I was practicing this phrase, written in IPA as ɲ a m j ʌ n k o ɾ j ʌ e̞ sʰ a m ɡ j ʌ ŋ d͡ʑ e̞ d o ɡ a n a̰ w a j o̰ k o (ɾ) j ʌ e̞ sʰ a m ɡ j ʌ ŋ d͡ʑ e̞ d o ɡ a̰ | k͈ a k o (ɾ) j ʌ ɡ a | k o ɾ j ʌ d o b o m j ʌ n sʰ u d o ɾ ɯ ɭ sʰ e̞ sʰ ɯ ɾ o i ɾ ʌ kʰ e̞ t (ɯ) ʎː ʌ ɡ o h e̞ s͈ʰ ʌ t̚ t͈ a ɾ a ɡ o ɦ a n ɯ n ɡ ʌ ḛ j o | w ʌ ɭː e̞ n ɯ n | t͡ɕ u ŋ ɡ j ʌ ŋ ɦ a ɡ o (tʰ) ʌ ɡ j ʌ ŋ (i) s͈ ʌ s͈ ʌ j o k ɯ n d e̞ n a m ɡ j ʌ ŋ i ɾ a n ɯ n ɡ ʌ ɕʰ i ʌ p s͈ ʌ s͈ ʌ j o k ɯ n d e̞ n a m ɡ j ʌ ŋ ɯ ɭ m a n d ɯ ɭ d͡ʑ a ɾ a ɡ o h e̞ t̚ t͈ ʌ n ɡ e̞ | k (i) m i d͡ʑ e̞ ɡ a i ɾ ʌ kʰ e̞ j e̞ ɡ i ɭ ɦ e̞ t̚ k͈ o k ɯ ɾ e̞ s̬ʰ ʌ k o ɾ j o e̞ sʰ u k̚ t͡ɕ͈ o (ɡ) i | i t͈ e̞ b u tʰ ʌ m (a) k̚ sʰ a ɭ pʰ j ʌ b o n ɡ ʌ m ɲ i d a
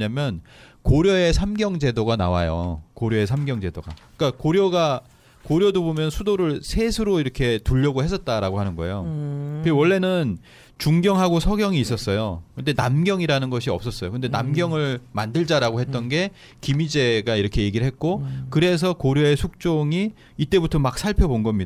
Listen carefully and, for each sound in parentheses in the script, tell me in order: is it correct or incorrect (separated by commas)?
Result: correct, correct, incorrect, incorrect, incorrect, correct, incorrect, correct